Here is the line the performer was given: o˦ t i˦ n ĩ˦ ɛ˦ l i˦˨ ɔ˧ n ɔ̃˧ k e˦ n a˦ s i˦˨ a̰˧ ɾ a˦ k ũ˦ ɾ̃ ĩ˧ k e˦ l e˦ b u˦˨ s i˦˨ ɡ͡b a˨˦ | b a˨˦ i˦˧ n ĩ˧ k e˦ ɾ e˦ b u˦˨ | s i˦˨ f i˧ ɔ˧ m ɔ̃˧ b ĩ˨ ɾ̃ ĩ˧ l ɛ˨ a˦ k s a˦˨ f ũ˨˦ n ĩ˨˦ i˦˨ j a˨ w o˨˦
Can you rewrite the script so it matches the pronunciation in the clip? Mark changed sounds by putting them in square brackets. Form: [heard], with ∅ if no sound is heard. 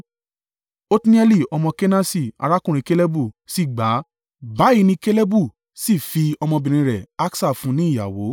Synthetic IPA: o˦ t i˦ n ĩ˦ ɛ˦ l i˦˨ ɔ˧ [m] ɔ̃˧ k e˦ n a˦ s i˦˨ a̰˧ ɾ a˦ k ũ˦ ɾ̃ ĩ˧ k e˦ l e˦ b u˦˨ s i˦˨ ɡ͡b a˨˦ | b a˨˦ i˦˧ n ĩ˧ k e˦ [l] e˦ b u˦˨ | s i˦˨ f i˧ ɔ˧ m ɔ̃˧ b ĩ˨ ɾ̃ ĩ˧ [ɾ] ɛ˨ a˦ k s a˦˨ f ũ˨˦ n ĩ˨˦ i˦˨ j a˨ w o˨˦